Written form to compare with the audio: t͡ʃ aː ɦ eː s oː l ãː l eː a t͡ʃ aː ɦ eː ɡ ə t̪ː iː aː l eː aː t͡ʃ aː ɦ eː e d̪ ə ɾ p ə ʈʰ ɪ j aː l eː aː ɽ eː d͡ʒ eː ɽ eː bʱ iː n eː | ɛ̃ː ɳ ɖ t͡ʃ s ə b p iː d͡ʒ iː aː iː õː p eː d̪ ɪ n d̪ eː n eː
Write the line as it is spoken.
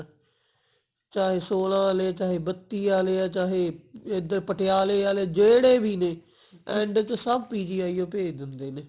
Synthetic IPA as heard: t͡ʃ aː ɦ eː s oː l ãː l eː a t͡ʃ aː ɦ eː b ə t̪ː iː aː l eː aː t͡ʃ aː ɦ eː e d̪ ə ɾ p ə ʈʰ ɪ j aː l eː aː l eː d͡ʒ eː ɽ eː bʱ iː n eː | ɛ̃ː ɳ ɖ t͡ʃ s ə b p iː d͡ʒ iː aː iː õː p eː d̪ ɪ n d̪ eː n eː

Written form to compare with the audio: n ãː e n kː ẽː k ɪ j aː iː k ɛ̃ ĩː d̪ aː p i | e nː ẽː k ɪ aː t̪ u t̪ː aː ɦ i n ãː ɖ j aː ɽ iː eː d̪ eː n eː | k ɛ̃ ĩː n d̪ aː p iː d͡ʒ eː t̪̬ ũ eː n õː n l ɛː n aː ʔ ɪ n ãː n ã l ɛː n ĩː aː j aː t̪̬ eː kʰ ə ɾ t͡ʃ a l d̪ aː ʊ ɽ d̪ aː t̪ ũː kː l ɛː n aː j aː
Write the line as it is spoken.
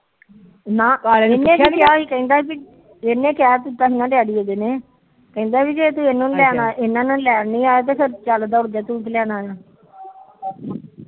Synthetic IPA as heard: n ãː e n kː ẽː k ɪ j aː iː k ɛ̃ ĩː d̪ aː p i | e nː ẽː k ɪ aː t̪ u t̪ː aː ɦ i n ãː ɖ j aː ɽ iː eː d̪ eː n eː | k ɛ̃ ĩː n d̪ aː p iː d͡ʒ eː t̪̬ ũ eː n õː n l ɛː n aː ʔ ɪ n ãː n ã l ɛː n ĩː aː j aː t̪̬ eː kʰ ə ɾ t͡ʃ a l d̪ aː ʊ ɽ d̪ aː t̪ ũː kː l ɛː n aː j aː

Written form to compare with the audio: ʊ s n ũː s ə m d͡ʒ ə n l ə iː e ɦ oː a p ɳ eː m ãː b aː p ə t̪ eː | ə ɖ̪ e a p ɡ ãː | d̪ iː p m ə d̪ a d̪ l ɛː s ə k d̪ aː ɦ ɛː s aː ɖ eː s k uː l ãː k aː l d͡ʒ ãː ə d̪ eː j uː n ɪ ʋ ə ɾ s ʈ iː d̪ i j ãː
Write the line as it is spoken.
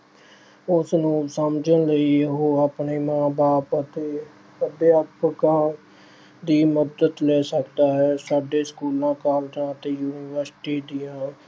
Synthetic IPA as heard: ʊ s n ũː s ə m d͡ʒ ə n l ə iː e ɦ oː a p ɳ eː m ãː b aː p ə t̪ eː | ə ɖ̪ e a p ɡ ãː | d̪ iː m ə d̪ ə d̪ l ɛː s ə k d̪ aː ɦ ɛː s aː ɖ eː s k uː l ãː k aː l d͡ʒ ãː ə t̪ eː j uː n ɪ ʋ ə ɾ s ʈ iː d̪ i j ãː

